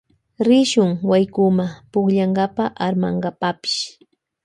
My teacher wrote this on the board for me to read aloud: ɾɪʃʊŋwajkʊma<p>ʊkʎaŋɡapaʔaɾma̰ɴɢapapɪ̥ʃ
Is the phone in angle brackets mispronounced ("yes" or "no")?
no